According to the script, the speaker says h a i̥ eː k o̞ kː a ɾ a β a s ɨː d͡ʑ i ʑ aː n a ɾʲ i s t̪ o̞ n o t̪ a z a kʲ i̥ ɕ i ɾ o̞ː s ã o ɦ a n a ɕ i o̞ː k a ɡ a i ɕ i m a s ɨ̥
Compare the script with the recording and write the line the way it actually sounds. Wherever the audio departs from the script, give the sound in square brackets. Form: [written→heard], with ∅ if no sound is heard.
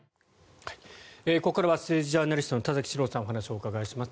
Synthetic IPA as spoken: h a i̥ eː k o̞ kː a ɾ a β a s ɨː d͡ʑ i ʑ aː n a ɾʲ i s t̪ o̞ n o t̪ a z a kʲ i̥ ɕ i ɾ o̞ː s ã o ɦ a n a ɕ i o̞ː k a ɡ a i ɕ i m a s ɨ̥

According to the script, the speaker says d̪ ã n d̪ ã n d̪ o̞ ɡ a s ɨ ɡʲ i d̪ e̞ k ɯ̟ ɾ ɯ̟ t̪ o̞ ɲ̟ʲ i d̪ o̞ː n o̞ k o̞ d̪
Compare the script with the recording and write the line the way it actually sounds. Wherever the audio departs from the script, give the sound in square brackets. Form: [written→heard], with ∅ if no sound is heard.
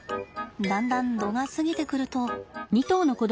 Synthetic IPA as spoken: d̪ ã n d̪ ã n d̪ o̞ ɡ a s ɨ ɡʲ i [d̪→t̪] e̞ k ɯ̟ ɾ ɯ̟ t̪ o̞ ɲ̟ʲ i [d̪→t̪] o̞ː n o̞ k o̞ d̪

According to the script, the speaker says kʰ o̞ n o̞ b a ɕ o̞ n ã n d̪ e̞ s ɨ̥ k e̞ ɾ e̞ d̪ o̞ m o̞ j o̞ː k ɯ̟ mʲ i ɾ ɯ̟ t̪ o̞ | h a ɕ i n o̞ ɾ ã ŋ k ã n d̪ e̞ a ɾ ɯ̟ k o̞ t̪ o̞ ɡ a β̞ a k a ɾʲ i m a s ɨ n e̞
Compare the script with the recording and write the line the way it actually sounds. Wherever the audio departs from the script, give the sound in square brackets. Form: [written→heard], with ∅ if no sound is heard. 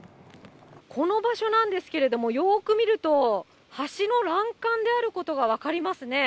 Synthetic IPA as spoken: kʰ o̞ n o̞ b a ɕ o̞ n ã n d̪ e̞ s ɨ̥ k e̞ ɾ e̞ d̪ o̞ m o̞ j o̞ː k ɯ̟ mʲ i ɾ ɯ̟ t̪ o̞ | h a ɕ i n o̞ ɾ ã ŋ k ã n d̪ e̞ a ɾ ɯ̟ k o̞ t̪ o̞ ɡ a β̞ a k a ɾʲ i m a s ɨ n e̞

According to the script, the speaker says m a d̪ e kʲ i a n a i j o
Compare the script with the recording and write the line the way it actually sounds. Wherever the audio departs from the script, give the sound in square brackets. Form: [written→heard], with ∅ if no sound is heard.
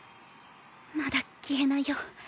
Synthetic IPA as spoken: m a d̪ [e→a] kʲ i [a→e] n a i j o

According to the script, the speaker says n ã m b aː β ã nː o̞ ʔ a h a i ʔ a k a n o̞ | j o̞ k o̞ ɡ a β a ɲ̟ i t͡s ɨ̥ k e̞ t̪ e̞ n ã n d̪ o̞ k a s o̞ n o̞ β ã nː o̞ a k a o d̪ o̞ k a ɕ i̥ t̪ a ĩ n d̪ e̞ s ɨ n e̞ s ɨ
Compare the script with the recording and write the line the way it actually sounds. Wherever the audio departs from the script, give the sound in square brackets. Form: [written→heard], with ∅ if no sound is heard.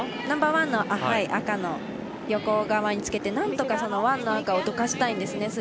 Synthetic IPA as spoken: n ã m b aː β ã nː o̞ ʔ a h a i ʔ a k a n o̞ | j o̞ k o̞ ɡ a β a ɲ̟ i t͡s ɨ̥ k e̞ t̪ e̞ n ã n [d̪→t̪] o̞ k a s o̞ n o̞ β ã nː o̞ a k a o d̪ o̞ k a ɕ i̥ t̪ a ĩ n d̪ e̞ s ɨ n e̞ s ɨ

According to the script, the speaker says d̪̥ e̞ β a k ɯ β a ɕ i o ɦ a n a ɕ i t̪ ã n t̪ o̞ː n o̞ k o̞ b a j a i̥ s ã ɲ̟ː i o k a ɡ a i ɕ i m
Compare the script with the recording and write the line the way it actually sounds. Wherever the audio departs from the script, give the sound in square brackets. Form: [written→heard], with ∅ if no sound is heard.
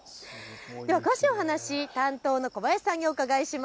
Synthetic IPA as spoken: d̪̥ e̞ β a k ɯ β a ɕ i o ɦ a n a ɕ i t̪ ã n t̪ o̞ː n o̞ k o̞ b a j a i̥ s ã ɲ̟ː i o k a ɡ a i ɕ i m

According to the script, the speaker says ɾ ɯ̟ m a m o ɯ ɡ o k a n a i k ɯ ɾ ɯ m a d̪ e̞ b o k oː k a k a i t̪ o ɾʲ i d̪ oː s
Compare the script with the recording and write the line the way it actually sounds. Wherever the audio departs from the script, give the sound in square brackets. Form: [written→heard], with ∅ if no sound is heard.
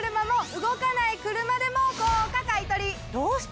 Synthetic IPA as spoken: ɾ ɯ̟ m a m o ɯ ɡ o k a n a i k ɯ ɾ ɯ m a d̪ e̞ [b→m] o k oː k a k a i t̪ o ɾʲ i d̪ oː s

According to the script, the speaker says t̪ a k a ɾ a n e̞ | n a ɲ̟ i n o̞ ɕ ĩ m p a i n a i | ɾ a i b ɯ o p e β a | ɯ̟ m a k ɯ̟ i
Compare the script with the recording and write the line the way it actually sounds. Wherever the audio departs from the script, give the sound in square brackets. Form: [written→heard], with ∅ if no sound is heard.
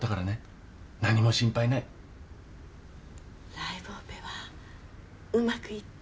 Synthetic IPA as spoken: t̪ a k a ɾ a n e̞ | n a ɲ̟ i [n→m] o̞ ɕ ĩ m p a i n a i | ɾ a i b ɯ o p e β a | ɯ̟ m a k ɯ̟ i

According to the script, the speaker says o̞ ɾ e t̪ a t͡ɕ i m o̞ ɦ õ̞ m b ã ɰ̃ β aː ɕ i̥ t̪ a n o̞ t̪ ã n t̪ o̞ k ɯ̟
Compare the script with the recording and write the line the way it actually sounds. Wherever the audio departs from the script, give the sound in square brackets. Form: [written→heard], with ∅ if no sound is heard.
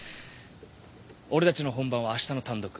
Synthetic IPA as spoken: o̞ ɾ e t̪ a t͡ɕ i [m→n] o̞ ɦ õ̞ m b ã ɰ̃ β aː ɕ i̥ t̪ a n o̞ t̪ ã n [t̪→d̪] o̞ k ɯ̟

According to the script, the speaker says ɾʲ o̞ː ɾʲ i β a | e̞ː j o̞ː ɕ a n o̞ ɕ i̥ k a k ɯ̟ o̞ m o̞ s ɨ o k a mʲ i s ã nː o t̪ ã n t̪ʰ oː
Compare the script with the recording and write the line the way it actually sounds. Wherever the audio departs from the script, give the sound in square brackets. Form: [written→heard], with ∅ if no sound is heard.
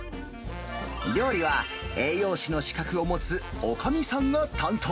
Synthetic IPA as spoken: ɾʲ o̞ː ɾʲ i β a | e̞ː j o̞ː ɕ [a→i] n o̞ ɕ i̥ k a k ɯ̟ o̞ m o̞ [s→t͡s] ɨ o k a mʲ i s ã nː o t̪ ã n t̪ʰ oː

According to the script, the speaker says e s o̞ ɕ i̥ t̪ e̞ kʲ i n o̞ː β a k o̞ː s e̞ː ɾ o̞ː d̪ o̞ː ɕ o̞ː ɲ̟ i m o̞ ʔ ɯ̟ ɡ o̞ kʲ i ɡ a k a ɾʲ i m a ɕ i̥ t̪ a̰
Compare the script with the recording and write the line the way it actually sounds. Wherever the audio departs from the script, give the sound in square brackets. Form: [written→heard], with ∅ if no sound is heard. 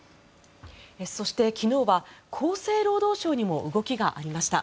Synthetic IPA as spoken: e s o̞ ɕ i̥ t̪ e̞ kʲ i n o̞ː β a [k→kʰ] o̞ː s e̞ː ɾ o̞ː d̪ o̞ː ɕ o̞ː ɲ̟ i m o̞ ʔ ɯ̟ ɡ o̞ kʲ i ɡ a [k→ʔ] a ɾʲ i m a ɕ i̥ t̪ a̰

